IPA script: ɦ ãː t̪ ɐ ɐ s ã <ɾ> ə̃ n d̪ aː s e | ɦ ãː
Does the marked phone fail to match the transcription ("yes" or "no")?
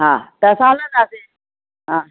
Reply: yes